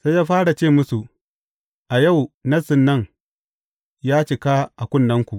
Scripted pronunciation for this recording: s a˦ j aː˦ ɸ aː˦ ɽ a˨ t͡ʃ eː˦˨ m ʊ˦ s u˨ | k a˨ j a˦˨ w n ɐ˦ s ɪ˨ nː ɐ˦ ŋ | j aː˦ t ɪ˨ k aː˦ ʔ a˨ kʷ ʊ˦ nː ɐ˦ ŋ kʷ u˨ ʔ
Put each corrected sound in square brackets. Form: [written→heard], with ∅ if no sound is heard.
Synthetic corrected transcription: s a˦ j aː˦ ɸ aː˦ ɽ a˨ t͡ʃ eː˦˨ m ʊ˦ s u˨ | [k→ʔ] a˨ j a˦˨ w n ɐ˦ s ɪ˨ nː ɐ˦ ŋ | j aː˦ [t→t͡ʃ] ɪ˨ k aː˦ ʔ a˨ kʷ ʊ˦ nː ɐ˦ ŋ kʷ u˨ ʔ